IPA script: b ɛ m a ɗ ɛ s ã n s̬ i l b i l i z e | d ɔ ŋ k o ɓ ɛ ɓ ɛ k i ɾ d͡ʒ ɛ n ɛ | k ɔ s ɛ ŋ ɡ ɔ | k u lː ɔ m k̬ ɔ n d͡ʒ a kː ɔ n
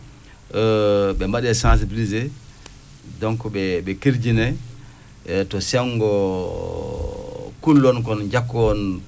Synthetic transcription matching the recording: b ɛ m a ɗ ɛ s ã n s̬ i b i l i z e | d ɔ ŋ k ɔ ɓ ɛ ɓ ɛ k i ɾ d͡ʒ i n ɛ | t ɔ s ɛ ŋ ɡ ɔ | k u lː ɔ n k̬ ɔ n d͡ʒ a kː ɔ n

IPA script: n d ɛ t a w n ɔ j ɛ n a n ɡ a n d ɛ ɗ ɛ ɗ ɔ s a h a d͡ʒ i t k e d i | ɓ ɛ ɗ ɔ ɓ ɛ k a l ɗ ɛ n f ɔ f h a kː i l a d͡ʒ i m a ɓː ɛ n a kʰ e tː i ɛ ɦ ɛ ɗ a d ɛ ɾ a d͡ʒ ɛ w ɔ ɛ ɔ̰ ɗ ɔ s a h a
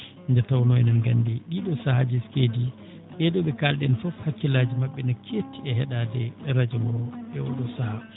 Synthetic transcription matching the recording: n d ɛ t a w n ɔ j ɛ n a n ɡ a n d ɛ ɗ i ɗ ɔ s a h a d͡ʒ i s k e d i | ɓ ɛ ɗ ɔ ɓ ɛ k a l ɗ ɛ n f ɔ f h a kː i l a d͡ʒ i m a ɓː ɛ n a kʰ e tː i ɛ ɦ ɛ ɗ a d ɛ ɾ a d͡ʒ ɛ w ɔ ɛ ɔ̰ ɗ ɔ s a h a

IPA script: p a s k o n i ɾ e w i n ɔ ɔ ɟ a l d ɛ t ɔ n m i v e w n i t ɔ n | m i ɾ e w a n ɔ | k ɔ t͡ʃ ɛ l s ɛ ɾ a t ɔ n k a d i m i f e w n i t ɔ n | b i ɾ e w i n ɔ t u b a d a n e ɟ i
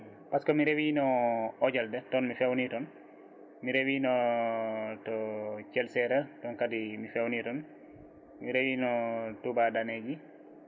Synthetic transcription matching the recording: p a s k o m i ɾ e w i n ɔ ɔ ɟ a l d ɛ t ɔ n m i f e w n i t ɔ n | m i ɾ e w i n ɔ | t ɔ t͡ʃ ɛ l s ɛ ɾ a t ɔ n k a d i m i f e w n i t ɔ n | m i ɾ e w i n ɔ t u b a d a n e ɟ i

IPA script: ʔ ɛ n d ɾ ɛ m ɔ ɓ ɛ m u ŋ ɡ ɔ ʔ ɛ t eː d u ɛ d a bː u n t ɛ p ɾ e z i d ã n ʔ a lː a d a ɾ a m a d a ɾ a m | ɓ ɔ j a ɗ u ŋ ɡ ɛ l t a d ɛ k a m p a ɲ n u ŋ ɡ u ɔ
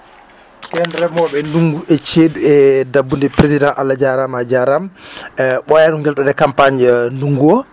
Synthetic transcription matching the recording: k ɛ n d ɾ ɛ m ɔ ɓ ɛ n u ŋ ɡ u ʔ ɛ t͡ʃ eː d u ɛ d a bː u n d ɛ p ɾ e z i d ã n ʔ a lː a d͡ʒ a ɾ a m a d͡ʒ a ɾ a m | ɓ ɔ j a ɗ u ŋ ɡ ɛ l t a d ɛ k a m p a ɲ n u ŋ ɡ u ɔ

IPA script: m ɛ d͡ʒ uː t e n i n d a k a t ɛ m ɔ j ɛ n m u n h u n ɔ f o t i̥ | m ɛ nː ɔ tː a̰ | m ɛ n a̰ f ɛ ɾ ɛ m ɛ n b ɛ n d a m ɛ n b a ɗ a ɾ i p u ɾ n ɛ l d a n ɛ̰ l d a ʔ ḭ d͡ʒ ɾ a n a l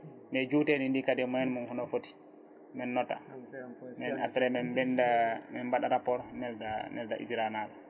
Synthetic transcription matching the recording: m ɛ d͡ʒ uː t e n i n d i k a d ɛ m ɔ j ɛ n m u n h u n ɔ f o t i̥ | m ɛ nː ɔ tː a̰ | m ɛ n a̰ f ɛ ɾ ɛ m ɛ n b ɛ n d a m ɛ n b a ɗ a ɾ a p ɔ ɾ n ɛ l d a n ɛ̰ l d a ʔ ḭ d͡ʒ ɾ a n a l

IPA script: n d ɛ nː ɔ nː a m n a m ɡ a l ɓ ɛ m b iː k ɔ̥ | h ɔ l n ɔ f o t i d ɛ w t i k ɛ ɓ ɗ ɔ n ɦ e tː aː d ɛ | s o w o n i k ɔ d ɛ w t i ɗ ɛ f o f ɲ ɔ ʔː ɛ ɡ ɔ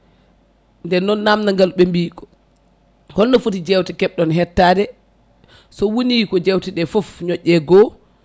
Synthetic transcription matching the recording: n d ɛ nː ɔ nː a m n a ŋ ɡ a l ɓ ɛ m b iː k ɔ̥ | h ɔ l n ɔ f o t i d͡ʒ ɛ w t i k ɛ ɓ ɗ ɔ n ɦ ɛ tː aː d ɛ | s ɔ w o n i k ɔ d͡ʒ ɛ w t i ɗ ɛ f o f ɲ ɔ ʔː ɛ ɡ ɔ

